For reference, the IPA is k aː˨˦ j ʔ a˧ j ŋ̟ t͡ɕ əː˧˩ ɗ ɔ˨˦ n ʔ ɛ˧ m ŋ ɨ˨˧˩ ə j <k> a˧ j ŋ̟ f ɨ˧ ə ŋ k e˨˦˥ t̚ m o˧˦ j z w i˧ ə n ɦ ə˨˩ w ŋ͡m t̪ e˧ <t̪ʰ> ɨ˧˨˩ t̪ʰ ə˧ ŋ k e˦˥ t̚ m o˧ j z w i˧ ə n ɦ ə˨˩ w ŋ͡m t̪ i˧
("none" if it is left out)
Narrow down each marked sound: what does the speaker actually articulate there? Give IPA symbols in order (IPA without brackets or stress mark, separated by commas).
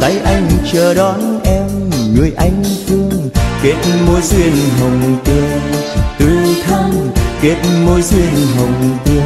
ʔ, t̪